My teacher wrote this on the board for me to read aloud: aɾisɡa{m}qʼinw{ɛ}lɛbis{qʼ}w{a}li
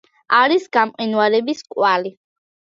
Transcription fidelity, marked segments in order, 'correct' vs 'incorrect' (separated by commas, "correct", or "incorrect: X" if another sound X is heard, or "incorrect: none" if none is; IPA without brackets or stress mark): correct, incorrect: a, incorrect: kʼ, correct